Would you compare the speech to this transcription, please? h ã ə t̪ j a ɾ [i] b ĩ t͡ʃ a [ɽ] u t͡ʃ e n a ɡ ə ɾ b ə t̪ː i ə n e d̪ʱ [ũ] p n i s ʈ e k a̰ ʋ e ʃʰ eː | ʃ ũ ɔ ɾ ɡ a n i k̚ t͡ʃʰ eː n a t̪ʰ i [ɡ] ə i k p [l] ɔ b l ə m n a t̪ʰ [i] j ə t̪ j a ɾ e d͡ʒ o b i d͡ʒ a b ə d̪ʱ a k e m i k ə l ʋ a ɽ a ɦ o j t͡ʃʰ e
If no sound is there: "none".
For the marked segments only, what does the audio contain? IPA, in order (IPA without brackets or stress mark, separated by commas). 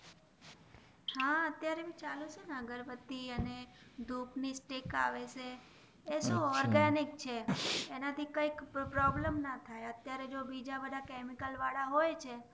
e, l, u, k, ɾ, a